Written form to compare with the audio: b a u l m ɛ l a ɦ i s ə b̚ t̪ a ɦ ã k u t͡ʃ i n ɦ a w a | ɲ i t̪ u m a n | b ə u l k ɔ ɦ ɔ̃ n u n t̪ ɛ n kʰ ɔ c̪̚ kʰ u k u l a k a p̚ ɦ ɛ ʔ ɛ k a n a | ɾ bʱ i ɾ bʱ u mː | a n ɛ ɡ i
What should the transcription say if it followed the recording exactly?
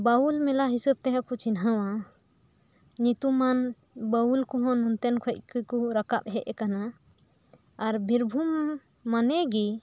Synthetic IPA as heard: b a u l m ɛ l a ɦ i s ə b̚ t̪ ɛ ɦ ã k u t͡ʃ i n ɦ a w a | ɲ i t̪ u m a n | b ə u l k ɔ ɦ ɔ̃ n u n t̪ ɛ n kʰ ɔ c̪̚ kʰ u k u ɾ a k a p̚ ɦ ɛ ʔ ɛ k a n a | ɾ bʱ i ɾ bʱ u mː | a n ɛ ɡ i

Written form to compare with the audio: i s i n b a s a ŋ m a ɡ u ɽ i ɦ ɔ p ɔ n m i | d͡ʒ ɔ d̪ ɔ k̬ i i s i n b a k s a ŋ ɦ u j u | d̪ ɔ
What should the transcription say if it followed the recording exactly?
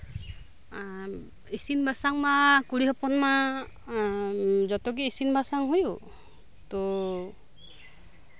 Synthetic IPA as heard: i s i n b a s a ŋ m a k u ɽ i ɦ ɔ p ɔ n m a | d͡ʒ ɔ t̪ ɔ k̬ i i s i n b a s a ŋ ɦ u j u | t̪ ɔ

